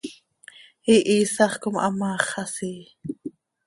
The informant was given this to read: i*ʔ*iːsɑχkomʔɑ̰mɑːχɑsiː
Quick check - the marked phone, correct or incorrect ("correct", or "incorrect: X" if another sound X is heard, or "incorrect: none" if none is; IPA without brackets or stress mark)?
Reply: correct